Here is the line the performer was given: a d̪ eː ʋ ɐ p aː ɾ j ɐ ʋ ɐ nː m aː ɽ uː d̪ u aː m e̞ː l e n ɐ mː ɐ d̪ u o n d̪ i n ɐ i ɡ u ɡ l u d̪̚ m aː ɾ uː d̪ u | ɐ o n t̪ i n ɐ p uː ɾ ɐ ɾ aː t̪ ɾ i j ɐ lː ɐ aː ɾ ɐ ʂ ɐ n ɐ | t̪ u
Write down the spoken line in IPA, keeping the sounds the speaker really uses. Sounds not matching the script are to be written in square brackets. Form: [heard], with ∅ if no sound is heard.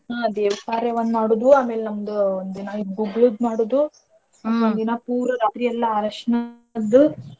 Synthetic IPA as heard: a d̪ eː ʋ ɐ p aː ɾ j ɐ ʋ ɐ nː m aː ɽ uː d̪ u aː m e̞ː l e n ɐ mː ɐ d̪ u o n d̪ i n ɐ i ɡ u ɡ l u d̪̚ m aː [ɽ] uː d̪ u | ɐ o n [d̪] i n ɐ p uː ɾ ɐ ɾ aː t̪ ɾ i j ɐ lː ɐ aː ɾ ɐ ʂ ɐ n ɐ | [d̪] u